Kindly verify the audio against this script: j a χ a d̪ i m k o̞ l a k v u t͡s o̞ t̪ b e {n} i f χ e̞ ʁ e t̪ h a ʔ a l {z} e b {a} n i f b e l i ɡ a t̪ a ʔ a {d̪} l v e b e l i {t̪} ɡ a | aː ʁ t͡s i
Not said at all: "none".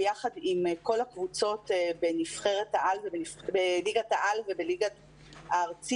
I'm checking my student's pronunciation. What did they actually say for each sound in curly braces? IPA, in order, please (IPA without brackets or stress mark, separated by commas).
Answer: n, v, e, none, none